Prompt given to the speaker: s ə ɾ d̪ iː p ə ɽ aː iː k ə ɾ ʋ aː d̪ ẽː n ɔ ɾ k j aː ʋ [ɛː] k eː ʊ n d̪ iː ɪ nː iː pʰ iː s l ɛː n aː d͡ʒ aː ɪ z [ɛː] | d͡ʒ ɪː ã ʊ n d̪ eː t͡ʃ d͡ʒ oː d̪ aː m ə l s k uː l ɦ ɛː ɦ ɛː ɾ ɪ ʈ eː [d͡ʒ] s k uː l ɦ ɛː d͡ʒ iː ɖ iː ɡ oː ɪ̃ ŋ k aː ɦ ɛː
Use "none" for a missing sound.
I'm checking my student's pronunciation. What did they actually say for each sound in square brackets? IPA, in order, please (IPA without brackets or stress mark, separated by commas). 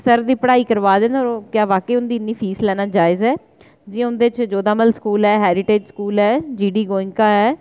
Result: aː, ɛː, d͡ʒ